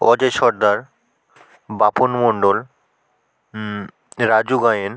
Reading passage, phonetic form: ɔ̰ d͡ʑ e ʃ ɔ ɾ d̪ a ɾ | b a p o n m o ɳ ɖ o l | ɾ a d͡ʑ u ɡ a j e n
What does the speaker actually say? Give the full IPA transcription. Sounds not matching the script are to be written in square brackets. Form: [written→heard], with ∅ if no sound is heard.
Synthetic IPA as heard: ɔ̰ d͡ʑ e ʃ ɔ ɾ d̪ a ɾ | b a p o n m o ɳ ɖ o l | ɾ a d͡ʑ u ɡ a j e n